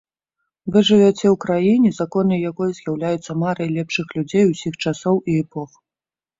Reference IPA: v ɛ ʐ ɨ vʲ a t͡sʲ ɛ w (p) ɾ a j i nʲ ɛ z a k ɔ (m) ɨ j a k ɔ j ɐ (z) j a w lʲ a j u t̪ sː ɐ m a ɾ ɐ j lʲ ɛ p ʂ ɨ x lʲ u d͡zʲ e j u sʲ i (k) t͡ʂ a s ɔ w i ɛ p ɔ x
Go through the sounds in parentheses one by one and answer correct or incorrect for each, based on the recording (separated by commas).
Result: incorrect, incorrect, correct, incorrect